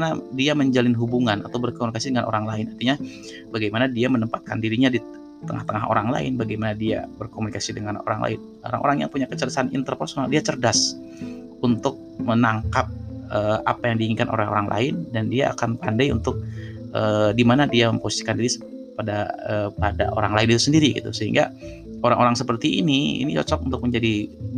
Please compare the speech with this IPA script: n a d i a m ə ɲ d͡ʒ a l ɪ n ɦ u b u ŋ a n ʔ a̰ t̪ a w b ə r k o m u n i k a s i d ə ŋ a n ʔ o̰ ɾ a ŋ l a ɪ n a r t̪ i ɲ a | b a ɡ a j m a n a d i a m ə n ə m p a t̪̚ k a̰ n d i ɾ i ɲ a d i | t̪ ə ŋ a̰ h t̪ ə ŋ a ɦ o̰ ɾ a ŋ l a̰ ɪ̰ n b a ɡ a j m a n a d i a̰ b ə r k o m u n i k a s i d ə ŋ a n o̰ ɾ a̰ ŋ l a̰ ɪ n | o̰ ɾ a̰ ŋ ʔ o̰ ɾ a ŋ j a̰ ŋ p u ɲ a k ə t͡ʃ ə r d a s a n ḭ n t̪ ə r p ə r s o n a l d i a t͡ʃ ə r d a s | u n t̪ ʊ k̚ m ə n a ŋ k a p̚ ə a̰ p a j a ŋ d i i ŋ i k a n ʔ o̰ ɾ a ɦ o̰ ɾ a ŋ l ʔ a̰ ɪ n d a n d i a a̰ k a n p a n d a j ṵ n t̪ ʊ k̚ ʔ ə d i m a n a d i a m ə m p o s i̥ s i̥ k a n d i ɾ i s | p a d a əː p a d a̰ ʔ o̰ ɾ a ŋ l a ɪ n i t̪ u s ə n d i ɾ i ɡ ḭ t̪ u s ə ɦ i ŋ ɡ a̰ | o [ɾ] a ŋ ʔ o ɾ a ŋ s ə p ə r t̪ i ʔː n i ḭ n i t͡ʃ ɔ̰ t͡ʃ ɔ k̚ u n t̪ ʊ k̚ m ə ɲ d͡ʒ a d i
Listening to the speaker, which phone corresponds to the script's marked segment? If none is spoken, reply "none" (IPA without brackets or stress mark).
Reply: ɾ